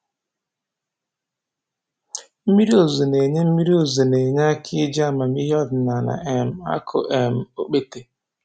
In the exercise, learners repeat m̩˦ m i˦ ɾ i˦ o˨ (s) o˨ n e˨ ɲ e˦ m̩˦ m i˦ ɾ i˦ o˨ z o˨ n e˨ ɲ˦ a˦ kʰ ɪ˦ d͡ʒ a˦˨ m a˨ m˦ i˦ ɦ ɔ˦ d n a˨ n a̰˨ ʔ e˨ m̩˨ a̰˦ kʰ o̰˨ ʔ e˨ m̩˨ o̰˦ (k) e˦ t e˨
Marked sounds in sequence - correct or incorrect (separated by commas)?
incorrect, incorrect